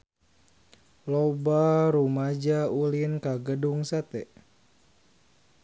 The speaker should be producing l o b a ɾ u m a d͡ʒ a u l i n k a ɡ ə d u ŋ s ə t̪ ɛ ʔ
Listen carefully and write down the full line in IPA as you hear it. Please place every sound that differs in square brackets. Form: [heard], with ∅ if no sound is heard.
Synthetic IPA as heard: l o b a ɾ u m a d͡ʒ a u l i n k a ɡ ə d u ŋ s [a] t̪ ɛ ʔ